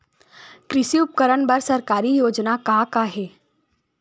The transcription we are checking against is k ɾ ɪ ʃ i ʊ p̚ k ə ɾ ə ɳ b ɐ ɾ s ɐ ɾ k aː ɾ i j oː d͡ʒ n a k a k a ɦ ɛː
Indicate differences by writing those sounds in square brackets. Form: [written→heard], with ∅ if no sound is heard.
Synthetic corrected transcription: k ɾ ɪ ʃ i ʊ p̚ k ə ɾ ə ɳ b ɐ ɾ s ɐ ɾ k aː ɾ i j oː d͡ʒ n a k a k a ɦ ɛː